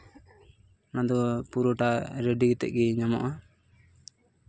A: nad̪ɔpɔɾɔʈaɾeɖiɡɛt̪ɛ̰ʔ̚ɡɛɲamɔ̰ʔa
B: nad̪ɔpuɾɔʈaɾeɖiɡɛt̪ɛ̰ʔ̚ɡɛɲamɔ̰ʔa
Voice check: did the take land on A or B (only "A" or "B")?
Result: B